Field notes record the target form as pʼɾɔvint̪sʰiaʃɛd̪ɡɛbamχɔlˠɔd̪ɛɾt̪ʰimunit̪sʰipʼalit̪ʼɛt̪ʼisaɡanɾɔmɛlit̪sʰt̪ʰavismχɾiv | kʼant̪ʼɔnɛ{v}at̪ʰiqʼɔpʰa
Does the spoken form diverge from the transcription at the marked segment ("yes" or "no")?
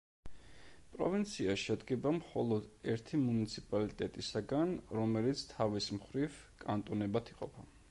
yes